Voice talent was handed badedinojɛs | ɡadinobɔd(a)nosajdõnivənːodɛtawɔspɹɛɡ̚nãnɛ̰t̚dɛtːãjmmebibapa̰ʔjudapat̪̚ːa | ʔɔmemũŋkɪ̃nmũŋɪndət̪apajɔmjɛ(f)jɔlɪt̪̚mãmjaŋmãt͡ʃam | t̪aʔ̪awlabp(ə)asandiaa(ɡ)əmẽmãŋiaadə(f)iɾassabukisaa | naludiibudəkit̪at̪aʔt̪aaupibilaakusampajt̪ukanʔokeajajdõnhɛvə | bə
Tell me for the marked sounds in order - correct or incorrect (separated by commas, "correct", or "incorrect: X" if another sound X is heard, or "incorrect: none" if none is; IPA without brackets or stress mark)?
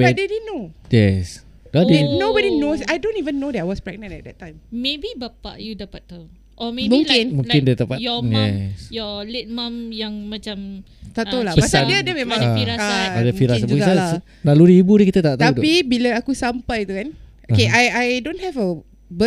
incorrect: i, incorrect: s, correct, incorrect: d, correct